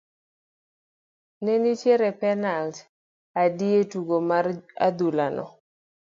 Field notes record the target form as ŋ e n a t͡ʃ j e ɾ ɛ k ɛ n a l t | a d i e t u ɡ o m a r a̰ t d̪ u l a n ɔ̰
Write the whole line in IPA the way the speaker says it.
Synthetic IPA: n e n i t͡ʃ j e ɾ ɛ p ɛ n a l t | a d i e t u ɡ o m a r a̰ d̪ u l a n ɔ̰